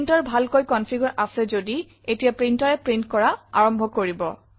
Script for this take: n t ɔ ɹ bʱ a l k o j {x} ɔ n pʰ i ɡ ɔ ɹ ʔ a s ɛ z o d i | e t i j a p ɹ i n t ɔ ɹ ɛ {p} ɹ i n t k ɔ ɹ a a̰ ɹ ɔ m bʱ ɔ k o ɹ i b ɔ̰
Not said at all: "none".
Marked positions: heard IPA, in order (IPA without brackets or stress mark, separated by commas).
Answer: k, p